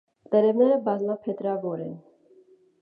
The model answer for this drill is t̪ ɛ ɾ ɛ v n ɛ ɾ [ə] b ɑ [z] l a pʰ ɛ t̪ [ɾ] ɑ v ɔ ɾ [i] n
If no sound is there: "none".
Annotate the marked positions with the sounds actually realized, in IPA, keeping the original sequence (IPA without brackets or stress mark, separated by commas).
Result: ə, z, ɾ, ɛ